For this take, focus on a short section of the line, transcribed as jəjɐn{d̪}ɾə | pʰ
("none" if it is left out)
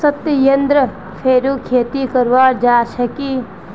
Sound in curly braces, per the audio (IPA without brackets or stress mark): d̪